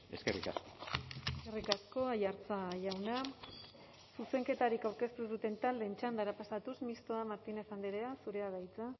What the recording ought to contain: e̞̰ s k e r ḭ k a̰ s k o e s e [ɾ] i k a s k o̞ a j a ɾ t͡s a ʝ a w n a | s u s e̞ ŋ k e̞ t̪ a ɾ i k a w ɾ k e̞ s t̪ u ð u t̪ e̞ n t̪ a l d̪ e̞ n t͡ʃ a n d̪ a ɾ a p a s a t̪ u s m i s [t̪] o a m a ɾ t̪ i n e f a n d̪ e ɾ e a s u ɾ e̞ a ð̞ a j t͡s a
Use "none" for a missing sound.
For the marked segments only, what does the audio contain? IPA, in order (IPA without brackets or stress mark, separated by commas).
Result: r, t̪